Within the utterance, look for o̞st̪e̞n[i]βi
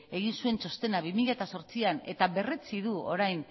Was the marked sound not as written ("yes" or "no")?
yes